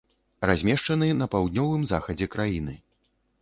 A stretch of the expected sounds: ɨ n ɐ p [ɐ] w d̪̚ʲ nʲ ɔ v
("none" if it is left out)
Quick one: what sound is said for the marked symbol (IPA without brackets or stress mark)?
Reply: a